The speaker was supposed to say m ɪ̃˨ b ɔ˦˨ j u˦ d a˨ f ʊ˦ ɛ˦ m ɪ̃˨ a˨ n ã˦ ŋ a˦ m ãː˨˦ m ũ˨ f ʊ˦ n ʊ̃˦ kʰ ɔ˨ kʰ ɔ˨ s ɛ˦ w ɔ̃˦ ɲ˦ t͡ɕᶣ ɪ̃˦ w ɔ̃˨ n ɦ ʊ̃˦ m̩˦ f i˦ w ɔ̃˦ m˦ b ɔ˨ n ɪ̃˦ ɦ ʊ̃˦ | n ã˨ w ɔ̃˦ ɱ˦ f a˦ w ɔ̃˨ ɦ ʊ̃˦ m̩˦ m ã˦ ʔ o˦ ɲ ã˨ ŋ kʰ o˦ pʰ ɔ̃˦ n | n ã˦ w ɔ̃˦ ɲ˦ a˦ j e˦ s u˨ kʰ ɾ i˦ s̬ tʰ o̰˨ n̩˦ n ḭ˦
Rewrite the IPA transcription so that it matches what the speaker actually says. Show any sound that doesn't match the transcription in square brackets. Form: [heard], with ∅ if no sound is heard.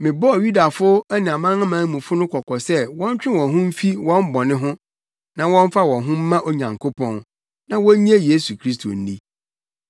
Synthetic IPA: m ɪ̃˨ b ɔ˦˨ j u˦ d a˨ f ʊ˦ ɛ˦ [n] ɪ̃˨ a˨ [m] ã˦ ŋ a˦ m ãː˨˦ m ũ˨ f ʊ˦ n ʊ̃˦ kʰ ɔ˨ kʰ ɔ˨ s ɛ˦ w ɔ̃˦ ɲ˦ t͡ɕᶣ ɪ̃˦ w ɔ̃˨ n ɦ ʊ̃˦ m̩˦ f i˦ w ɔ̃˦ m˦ b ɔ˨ n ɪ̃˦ ɦ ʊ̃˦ | n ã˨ w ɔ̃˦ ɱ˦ f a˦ w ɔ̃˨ ɦ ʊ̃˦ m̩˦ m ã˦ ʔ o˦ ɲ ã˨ ŋ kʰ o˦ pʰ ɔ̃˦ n | n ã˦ w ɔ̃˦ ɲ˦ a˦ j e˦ s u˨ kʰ ɾ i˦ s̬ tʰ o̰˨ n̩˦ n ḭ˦